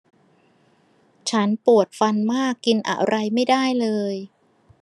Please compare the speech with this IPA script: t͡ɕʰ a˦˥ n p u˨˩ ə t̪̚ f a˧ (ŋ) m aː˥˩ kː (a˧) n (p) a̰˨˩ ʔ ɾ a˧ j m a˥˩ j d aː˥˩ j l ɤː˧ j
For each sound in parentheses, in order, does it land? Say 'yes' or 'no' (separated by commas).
no, no, no